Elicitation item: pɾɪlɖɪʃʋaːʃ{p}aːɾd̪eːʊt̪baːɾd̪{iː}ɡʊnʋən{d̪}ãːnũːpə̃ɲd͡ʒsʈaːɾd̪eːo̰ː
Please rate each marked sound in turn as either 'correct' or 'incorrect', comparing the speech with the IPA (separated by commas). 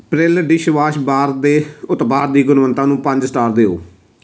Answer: incorrect, correct, incorrect